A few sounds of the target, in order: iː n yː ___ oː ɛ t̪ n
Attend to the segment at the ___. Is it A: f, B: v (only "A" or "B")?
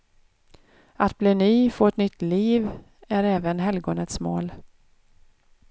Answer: A